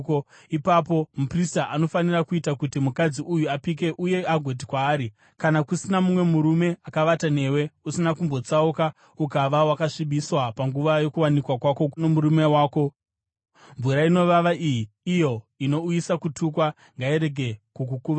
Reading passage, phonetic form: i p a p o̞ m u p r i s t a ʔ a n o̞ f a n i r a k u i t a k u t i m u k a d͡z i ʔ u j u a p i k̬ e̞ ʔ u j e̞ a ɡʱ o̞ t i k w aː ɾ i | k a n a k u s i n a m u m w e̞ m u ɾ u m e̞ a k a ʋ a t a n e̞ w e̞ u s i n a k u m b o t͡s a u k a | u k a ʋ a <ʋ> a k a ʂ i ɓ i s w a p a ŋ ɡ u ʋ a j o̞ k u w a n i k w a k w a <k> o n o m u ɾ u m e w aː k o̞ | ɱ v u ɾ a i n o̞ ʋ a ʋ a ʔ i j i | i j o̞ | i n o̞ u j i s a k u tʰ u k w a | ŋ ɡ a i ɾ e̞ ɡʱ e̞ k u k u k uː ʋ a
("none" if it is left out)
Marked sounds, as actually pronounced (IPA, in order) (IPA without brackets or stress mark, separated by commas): w, k